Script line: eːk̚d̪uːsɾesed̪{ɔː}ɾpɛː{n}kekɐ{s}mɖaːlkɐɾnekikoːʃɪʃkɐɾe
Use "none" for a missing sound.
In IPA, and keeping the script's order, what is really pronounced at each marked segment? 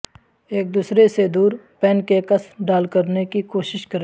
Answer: uː, n, s

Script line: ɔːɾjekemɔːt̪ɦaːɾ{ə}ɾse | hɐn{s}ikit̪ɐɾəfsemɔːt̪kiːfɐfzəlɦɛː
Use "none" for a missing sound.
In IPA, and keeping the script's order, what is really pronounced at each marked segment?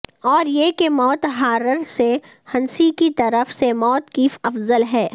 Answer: ə, s

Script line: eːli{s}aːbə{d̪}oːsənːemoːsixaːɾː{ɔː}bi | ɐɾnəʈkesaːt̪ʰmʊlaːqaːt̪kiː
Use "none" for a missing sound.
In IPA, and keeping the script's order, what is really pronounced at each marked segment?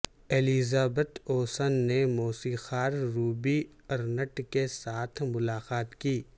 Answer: z, t̪, uː

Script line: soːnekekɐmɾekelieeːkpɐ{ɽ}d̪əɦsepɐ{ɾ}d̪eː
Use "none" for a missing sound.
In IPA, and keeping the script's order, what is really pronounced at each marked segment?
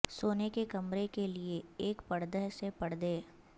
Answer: ɽ, ɽ

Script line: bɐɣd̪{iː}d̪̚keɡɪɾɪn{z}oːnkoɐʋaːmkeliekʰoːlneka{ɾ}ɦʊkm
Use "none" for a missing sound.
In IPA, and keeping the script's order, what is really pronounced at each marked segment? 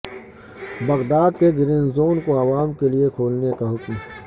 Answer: aː, z, none

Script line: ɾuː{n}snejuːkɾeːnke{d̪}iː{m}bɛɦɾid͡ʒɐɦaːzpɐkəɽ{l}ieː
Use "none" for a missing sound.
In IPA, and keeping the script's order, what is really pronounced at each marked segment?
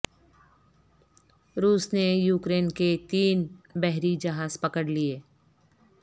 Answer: none, t̪, n, l

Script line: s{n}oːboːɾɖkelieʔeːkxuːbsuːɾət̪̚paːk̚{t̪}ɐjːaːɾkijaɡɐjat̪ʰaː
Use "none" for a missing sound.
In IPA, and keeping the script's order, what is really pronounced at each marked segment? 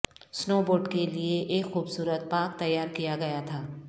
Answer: n, t̪

